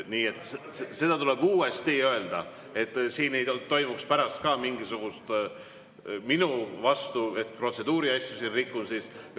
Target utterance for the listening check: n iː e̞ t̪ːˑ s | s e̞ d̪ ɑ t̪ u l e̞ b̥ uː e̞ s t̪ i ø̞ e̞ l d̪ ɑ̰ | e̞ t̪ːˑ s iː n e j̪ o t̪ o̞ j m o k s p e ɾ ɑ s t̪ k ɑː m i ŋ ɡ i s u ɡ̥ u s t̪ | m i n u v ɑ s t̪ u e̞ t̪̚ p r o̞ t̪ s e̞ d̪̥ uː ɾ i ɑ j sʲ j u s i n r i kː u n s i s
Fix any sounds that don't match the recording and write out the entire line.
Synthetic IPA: n iː e̞ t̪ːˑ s | s e̞ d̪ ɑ t̪ u l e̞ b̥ uː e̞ s t̪ i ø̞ e̞ l d̪ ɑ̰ | e̞ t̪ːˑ s iː n e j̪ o t̪ o̞ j m u k s p æ ɾ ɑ s t̪ k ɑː m i ŋ ɡ i s u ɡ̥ u s t̪ | m i n u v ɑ s t̪ u e̞ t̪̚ p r o̞ t̪ s e̞ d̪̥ uː ɾ i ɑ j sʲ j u s i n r i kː u n s i s